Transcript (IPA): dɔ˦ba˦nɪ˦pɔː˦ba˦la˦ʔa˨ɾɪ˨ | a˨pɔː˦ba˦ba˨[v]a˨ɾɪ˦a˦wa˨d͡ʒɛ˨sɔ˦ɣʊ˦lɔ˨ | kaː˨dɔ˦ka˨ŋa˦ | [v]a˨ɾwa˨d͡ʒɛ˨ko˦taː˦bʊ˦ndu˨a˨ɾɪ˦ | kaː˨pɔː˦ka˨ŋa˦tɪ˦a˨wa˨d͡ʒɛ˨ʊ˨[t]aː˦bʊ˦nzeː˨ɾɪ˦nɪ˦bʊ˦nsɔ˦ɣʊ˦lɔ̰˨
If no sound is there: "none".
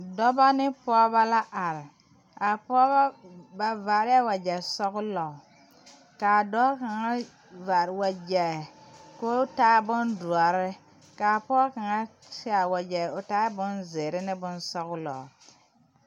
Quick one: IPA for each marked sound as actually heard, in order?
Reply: v, v, t

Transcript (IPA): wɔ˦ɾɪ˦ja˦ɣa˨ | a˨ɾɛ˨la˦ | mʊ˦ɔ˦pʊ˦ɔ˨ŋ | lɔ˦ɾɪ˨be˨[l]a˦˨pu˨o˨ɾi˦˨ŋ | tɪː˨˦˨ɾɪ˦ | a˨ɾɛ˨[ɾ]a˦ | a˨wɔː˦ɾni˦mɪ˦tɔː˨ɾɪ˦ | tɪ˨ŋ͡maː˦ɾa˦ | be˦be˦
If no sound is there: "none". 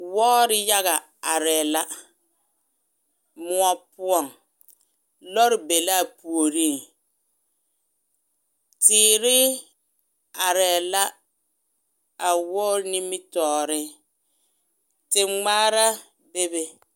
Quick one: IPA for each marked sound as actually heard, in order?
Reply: l, l

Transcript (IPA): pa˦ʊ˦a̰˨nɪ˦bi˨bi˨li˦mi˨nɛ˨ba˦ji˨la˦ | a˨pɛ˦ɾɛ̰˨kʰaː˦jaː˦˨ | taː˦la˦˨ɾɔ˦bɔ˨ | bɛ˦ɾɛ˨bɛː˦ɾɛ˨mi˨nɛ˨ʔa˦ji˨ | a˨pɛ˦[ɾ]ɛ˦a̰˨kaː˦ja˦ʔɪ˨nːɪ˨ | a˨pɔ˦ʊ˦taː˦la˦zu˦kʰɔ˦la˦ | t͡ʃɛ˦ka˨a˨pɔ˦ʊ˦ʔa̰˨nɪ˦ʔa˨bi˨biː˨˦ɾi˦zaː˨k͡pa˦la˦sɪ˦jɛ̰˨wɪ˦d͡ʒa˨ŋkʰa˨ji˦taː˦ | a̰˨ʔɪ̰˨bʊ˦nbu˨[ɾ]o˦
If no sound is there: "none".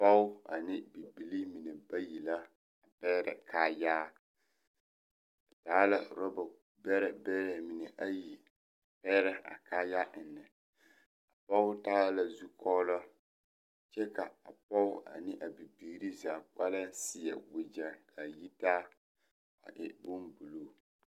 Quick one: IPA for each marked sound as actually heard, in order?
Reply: ɾ, l

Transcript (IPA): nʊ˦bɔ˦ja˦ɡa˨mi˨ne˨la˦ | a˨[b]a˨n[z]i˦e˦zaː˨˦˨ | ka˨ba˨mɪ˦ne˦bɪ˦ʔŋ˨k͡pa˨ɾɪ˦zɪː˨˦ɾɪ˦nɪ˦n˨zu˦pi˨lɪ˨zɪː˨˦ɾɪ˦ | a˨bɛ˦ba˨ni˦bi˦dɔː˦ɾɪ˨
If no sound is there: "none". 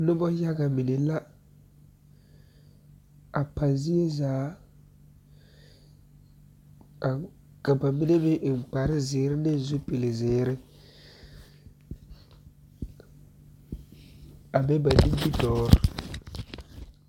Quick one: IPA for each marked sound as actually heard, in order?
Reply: p, z

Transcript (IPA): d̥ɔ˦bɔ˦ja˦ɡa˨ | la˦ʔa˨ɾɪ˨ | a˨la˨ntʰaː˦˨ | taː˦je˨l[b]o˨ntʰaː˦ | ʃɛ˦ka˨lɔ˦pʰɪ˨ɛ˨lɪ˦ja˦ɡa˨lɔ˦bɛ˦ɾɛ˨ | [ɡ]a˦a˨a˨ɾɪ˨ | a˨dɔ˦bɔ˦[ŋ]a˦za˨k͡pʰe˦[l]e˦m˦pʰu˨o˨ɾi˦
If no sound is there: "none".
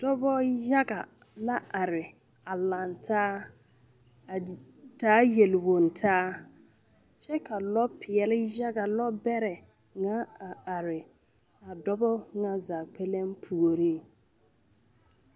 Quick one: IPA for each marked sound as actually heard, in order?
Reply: w, ŋ, ŋ, l

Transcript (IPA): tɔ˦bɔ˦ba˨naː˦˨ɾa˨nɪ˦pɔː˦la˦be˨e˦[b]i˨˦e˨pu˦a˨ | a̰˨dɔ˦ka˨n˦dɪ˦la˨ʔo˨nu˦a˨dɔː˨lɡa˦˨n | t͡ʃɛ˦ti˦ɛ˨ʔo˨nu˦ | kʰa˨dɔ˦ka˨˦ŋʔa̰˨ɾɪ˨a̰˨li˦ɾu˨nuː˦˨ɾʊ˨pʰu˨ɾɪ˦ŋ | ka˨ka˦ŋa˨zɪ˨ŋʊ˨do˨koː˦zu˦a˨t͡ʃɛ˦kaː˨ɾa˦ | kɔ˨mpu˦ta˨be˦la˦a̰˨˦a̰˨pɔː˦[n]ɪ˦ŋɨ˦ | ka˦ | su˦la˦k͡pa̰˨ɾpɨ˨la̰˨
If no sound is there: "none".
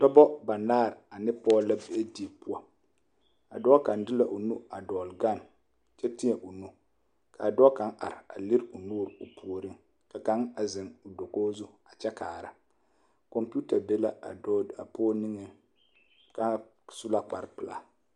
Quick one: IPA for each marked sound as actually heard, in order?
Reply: d, n

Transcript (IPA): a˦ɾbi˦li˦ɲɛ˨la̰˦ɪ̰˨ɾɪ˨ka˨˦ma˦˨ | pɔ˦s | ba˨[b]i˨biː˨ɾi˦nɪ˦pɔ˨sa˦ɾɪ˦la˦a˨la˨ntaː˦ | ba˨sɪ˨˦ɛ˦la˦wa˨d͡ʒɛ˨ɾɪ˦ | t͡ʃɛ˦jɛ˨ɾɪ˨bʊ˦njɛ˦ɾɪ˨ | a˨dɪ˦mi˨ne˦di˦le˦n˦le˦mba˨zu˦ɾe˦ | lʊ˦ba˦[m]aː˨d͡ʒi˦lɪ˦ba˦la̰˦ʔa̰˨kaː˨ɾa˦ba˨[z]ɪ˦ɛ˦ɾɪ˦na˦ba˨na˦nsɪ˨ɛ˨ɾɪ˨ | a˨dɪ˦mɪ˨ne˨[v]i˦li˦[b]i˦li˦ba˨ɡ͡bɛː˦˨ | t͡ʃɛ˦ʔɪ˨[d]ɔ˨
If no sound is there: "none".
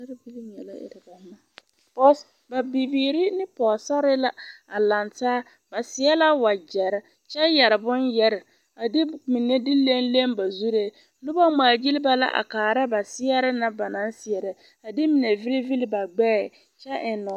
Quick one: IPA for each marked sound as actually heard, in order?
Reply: b, m, s, v, v, n

